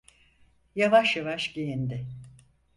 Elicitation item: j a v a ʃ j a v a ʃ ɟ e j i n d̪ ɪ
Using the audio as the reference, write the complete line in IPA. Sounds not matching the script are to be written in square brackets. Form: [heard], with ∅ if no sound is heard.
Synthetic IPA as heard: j a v a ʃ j a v a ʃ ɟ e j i n d̪ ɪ